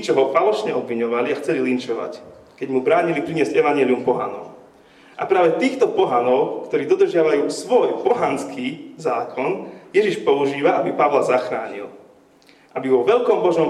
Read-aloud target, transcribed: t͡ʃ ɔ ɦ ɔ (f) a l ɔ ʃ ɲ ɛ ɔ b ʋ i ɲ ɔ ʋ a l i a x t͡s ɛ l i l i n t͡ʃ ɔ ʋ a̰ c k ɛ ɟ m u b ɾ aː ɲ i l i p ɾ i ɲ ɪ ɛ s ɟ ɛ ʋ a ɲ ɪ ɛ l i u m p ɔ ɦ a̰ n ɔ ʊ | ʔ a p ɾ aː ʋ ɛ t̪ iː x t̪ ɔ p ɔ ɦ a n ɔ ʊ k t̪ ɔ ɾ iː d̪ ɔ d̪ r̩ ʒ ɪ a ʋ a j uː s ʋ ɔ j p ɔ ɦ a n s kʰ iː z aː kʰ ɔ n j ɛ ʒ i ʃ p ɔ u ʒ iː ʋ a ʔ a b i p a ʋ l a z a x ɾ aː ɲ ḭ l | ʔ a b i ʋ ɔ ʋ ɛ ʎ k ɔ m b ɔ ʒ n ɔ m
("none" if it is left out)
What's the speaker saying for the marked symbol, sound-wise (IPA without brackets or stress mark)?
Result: f